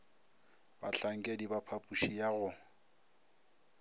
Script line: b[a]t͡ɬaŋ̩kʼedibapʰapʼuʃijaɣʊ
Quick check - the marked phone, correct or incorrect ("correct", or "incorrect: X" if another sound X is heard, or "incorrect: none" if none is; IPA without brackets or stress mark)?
correct